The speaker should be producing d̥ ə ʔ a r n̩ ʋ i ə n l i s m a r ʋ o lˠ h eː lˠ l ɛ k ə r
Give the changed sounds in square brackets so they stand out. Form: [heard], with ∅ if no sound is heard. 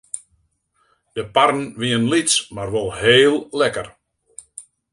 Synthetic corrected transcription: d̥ ə [p] a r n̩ ʋ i ə n l i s m a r ʋ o lˠ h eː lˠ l ɛ k ə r

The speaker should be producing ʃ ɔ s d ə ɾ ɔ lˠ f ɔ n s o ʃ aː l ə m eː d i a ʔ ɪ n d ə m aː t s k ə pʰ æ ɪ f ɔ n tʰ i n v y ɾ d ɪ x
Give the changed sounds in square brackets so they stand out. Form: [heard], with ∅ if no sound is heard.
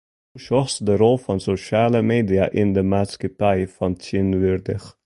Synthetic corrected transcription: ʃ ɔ s d ə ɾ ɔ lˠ f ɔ n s o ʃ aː l ə m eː d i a ʔ ɪ n d ə m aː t s k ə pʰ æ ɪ f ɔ n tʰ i n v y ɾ d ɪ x

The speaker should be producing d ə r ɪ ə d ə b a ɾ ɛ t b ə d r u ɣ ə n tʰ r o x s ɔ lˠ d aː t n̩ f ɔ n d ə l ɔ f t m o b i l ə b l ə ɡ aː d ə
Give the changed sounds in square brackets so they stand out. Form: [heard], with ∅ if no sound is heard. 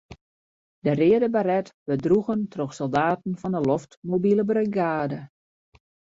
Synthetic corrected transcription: d ə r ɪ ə d ə b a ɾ ɛ t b ə d r u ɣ ə n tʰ r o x s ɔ lˠ d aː t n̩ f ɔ n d ə l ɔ f t m o b i l ə b [r] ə ɡ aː d ə

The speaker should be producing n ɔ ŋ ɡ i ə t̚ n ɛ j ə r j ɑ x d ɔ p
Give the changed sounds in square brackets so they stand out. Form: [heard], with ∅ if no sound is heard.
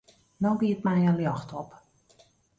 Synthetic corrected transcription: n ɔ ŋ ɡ i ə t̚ [m] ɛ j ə [l] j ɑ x [t] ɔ p

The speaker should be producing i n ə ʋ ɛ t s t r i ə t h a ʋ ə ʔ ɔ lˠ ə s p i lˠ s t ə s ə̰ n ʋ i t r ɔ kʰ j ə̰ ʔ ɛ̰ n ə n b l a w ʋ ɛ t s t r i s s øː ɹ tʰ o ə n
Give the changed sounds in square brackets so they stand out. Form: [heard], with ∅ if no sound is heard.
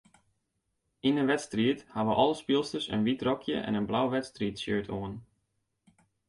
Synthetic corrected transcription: i n ə ʋ ɛ t s t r i ə t h a ʋ ə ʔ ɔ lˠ ə s p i lˠ s t ə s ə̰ n ʋ i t r ɔ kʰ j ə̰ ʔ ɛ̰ n ə n b l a w ʋ ɛ t s t r i [t] s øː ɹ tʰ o ə n

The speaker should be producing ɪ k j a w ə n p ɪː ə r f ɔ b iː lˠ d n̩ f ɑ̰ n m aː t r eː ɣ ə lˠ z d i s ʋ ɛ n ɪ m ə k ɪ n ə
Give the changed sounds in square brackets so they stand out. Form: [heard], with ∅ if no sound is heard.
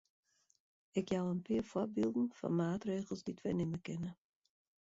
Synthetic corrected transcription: ɪ k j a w ə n p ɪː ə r f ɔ b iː lˠ d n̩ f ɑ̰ n m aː t r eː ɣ ə lˠ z d i [t] ʋ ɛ n ɪ m ə k ɪ n ə

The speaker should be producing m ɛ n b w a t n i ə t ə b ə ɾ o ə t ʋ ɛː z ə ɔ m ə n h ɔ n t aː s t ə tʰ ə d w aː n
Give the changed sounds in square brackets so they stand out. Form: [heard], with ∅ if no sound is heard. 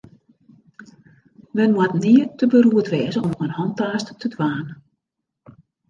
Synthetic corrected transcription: m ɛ n [m] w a t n i ə t ə b ə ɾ [u] ə t ʋ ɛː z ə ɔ m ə n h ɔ n t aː s t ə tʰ ə d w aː n

